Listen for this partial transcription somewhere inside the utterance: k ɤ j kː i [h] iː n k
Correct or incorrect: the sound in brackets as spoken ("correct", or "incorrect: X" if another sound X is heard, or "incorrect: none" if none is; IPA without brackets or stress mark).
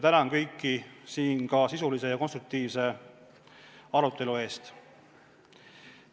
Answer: incorrect: s